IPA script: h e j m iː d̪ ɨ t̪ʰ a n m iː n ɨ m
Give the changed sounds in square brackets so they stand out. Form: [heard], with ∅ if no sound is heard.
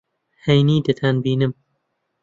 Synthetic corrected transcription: h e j [n] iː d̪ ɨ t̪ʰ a n [b] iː n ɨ m